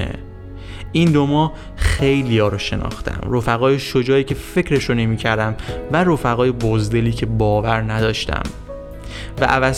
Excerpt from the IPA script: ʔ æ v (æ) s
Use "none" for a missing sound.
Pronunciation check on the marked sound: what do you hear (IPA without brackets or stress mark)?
æ